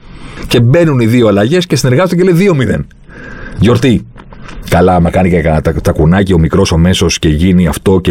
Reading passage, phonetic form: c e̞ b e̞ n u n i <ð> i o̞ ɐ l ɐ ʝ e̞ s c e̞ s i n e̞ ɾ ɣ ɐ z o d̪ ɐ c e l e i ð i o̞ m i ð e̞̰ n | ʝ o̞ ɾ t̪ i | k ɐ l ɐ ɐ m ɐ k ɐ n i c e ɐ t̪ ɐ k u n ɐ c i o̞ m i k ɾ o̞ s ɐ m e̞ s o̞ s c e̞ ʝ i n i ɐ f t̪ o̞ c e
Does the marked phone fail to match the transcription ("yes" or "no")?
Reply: no